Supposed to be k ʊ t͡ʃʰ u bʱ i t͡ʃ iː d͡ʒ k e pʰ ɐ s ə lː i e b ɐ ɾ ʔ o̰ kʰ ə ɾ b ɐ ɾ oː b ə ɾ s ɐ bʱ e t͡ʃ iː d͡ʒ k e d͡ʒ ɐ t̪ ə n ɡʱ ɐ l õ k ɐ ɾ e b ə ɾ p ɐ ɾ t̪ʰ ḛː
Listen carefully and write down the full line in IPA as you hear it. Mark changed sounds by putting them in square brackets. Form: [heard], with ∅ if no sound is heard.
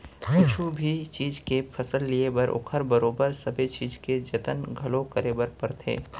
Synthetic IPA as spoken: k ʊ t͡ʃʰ u bʱ i t͡ʃ iː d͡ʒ k e pʰ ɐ s ə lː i e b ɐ ɾ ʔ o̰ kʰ ə ɾ b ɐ ɾ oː b ə ɾ s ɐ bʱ e t͡ʃ iː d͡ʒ k e d͡ʒ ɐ t̪ ə n ɡʱ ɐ l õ k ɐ ɾ e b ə ɾ p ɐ ɾ t̪ʰ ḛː

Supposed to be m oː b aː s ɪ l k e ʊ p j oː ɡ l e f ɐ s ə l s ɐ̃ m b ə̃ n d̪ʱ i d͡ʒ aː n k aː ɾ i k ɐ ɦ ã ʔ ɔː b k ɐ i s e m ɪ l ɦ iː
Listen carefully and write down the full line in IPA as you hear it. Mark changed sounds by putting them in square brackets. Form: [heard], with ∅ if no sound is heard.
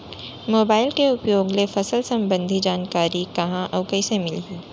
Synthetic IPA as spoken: m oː b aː [∅] ɪ l k e ʊ p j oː ɡ l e f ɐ s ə l s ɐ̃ m b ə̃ n d̪ʱ i d͡ʒ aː n k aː ɾ i k ɐ ɦ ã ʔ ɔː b k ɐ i s e m ɪ l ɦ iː

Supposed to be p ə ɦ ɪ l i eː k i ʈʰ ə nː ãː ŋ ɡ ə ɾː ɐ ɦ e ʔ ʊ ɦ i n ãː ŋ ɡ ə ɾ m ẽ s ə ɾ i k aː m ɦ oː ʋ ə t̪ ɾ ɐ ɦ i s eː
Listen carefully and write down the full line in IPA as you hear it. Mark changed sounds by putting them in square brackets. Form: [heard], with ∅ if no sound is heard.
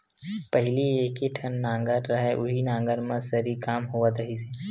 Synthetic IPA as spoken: p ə ɦ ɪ l i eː k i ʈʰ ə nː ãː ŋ ɡ ə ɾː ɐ ɦ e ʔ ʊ ɦ i n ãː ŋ ɡ ə ɾ m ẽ s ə ɾ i k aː m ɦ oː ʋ ə t̪ ɾ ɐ ɦ i s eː

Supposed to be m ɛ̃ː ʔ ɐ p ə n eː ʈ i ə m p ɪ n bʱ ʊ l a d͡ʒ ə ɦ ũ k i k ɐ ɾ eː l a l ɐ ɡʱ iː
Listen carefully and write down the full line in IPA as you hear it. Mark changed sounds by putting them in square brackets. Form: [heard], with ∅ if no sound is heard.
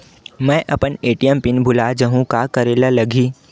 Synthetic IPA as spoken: m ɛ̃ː ʔ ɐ p ə n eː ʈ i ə m p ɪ n bʱ ʊ l a d͡ʒ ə ɦ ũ k [a] k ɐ ɾ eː l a l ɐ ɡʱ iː

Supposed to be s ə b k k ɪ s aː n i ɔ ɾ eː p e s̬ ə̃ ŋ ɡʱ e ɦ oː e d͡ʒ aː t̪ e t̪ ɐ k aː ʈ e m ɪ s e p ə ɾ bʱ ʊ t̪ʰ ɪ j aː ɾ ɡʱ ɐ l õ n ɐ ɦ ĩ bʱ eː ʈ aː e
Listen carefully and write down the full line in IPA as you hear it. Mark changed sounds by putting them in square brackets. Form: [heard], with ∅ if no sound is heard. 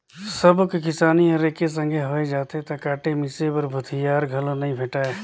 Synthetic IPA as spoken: s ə b k k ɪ s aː n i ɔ ɾ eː [k] e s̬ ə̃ ŋ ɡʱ e ɦ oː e d͡ʒ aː t̪ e t̪ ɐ k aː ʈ e m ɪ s e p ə ɾ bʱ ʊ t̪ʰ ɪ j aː ɾ ɡʱ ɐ l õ n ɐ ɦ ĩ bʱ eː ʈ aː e

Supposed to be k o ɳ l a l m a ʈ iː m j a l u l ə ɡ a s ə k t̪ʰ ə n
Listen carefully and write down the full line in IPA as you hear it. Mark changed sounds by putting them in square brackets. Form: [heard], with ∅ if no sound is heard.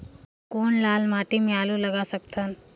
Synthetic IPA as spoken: k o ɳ l a l m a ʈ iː m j a l u l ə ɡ a s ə k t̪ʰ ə n

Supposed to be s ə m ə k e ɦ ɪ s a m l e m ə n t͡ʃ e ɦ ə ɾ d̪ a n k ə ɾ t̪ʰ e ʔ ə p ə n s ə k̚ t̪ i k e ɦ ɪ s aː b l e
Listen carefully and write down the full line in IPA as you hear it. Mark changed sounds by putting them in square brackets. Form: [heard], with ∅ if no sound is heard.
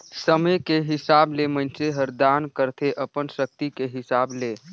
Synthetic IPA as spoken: s ə m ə k e ɦ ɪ s a [b] l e m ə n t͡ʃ e ɦ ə ɾ d̪ a n k ə ɾ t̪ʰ e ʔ ə p ə n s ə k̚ t̪ i k e ɦ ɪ s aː b l e

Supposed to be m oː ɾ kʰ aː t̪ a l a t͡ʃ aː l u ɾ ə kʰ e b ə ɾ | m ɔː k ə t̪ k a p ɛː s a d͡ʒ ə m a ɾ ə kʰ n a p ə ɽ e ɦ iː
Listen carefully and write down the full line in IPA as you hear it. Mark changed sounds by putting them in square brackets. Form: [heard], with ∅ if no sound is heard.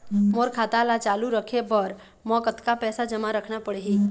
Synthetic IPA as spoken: m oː ɾ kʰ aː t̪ a l a t͡ʃ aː l u ɾ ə kʰ e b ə ɾ | m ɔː k ə t̪ k a p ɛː s a d͡ʒ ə m a ɾ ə kʰ n a p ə ɽ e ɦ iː

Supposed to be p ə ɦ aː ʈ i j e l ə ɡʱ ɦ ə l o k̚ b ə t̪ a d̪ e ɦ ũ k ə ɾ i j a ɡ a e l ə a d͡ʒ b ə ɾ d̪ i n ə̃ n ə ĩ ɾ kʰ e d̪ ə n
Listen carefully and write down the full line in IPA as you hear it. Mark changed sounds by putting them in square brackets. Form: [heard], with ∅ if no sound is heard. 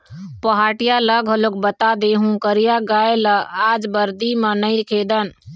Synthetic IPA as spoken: p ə ɦ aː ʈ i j [a] l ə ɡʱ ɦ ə l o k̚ b ə t̪ a d̪ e ɦ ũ k ə ɾ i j a ɡ a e l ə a d͡ʒ b ə ɾ d̪ i [m] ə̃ n ə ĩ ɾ kʰ e d̪ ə n

